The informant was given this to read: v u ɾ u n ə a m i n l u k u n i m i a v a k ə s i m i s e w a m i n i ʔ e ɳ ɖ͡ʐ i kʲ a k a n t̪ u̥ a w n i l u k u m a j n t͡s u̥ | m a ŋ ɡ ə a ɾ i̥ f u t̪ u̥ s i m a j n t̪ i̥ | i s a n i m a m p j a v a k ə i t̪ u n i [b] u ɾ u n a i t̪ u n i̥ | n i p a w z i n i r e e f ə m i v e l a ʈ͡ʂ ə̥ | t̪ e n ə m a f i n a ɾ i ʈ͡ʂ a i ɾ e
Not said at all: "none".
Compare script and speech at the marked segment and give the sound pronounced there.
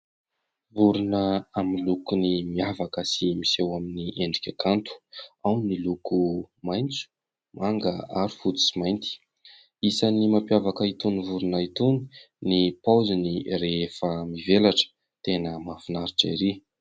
v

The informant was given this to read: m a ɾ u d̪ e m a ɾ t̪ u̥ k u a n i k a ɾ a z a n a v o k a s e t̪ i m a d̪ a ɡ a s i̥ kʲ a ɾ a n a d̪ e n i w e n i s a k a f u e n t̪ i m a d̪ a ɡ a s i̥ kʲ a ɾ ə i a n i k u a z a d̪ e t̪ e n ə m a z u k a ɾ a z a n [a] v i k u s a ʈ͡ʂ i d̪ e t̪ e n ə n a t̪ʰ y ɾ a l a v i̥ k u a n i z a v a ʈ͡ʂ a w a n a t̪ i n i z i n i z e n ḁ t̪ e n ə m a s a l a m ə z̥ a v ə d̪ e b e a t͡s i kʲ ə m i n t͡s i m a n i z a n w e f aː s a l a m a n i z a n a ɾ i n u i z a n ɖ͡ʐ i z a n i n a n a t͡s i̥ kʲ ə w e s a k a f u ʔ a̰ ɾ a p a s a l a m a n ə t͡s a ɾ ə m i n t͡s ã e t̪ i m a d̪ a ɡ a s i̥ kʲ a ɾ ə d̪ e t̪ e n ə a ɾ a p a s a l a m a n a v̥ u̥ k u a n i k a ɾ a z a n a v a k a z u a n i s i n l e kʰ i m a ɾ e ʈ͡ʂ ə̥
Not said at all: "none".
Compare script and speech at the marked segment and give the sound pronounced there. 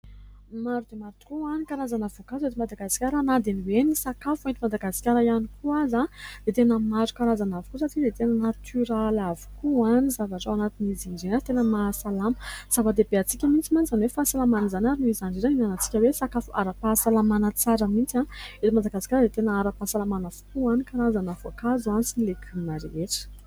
a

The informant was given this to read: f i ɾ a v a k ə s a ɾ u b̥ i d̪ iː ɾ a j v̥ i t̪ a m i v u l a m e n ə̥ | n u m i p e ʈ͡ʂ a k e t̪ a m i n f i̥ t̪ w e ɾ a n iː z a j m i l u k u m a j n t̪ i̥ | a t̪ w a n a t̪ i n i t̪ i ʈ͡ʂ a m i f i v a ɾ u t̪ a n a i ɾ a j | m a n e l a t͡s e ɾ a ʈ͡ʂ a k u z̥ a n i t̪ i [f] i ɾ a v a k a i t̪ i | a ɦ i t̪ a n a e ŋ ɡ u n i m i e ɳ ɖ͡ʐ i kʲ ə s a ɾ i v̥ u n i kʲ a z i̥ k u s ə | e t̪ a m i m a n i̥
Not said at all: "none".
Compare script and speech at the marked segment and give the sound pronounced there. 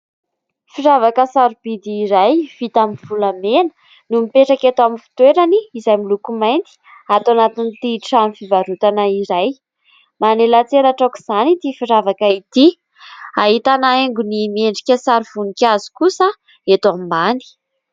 f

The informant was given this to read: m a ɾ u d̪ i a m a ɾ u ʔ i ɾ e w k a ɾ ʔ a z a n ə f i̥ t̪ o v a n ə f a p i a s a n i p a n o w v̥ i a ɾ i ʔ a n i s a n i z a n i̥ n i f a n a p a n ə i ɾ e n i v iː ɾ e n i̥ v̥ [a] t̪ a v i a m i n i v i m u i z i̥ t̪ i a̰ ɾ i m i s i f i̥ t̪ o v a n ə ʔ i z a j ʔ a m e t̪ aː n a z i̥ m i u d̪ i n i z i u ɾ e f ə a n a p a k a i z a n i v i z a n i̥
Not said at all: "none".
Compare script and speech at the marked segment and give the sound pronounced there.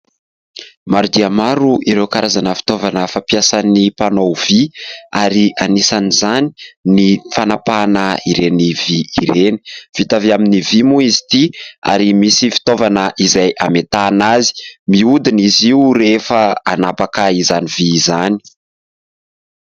i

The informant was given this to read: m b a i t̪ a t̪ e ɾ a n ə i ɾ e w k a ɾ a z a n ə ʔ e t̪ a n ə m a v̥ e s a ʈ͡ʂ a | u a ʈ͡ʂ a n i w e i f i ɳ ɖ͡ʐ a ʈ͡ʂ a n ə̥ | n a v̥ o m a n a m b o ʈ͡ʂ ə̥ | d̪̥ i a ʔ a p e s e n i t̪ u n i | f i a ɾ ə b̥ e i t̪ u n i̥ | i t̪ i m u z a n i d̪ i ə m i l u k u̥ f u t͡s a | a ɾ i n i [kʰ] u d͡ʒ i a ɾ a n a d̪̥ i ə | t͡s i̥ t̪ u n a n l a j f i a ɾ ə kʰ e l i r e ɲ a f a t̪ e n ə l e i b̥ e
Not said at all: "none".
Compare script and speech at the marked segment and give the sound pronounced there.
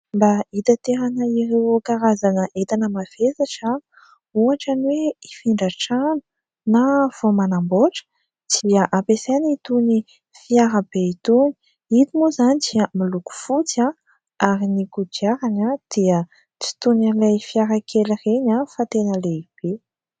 k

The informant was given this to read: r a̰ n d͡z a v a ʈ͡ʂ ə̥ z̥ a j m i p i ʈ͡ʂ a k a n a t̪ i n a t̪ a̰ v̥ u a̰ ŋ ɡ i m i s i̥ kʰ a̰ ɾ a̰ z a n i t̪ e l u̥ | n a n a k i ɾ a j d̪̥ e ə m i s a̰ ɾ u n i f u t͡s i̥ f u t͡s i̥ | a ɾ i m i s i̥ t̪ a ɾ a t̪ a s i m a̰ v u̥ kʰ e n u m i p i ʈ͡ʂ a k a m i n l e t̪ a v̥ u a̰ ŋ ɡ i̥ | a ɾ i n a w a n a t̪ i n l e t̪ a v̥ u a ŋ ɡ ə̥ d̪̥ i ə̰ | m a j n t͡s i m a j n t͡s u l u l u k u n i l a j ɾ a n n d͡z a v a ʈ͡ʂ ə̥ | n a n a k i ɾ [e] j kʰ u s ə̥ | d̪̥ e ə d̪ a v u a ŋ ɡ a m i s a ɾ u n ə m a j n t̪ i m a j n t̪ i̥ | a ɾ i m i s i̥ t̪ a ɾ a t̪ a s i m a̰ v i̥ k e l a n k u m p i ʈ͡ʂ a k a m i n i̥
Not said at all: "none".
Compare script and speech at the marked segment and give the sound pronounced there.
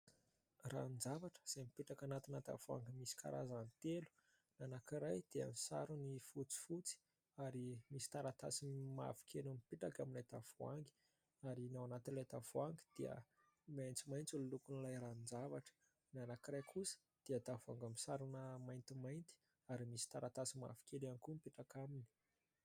a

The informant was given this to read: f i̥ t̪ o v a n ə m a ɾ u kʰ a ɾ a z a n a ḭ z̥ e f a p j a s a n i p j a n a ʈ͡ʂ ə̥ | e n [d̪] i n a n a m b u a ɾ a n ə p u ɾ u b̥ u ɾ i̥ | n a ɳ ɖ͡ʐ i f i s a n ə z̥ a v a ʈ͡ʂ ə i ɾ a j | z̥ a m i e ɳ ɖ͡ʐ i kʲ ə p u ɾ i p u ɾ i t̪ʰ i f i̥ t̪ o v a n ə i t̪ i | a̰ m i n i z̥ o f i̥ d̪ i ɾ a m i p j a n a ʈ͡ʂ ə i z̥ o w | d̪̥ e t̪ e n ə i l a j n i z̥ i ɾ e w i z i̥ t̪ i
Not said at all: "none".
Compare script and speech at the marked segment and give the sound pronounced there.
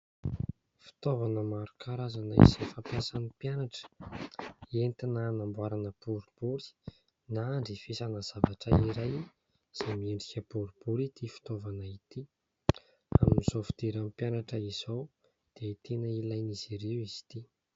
t̪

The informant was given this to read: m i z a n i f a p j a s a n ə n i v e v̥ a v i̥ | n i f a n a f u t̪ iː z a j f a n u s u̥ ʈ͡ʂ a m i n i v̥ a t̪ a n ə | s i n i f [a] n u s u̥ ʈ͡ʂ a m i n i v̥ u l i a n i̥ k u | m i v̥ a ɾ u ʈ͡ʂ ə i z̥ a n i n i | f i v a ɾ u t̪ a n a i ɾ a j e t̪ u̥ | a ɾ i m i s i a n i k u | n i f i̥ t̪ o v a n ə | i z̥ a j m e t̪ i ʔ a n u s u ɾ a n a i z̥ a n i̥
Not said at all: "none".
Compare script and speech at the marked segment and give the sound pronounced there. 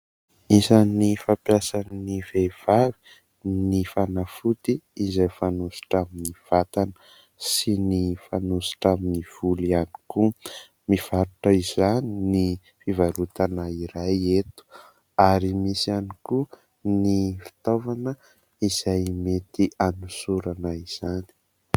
a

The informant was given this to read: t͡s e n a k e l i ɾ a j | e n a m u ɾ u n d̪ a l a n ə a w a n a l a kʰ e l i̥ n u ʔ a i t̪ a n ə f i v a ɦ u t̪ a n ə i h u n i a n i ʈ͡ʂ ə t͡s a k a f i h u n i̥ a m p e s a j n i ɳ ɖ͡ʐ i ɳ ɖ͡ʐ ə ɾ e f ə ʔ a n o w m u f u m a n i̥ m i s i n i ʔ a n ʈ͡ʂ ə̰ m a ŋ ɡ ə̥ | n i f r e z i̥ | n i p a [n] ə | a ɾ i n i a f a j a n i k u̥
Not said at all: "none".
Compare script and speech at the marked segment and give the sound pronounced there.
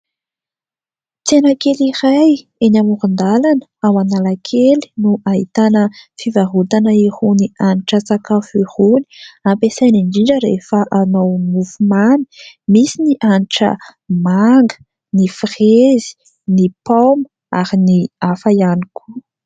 m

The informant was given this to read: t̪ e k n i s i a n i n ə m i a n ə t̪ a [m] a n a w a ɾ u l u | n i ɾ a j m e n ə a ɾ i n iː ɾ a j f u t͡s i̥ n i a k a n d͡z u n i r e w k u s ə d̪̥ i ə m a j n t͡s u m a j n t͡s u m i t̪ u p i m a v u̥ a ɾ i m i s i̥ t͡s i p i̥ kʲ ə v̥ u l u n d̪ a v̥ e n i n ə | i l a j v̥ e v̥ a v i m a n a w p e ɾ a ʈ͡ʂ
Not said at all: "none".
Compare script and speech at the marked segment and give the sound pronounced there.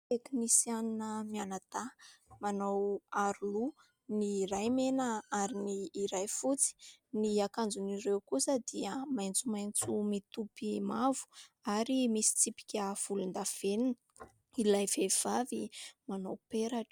m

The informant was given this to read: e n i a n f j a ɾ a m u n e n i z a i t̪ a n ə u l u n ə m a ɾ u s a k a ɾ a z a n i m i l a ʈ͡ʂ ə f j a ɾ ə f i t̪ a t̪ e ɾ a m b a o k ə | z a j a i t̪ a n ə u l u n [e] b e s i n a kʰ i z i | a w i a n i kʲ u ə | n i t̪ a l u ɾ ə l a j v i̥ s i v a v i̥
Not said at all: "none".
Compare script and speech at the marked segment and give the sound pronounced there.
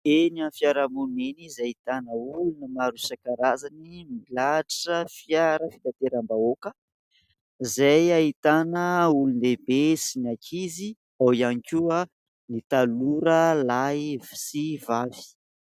e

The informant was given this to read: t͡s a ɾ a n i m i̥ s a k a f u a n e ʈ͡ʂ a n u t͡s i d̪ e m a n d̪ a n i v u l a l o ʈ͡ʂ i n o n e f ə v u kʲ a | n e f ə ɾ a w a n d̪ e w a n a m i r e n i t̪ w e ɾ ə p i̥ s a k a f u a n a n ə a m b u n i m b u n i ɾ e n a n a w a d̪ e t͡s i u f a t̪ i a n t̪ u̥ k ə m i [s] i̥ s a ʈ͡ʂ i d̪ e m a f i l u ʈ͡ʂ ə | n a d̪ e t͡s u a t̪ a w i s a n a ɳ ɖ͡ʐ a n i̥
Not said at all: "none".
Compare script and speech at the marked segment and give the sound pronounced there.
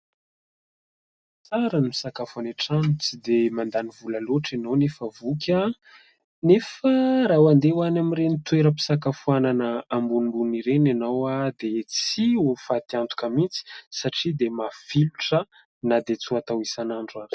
t͡s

